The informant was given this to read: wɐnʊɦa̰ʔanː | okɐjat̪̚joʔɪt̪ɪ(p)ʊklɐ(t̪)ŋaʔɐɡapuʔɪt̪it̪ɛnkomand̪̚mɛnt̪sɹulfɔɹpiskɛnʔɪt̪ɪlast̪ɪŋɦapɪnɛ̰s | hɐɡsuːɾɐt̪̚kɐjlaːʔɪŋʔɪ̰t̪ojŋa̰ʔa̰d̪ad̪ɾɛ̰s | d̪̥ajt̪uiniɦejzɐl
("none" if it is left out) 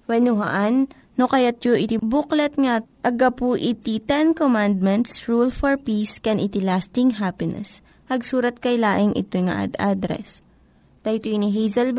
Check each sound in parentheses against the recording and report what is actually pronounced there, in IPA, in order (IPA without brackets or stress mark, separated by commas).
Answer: b, t̪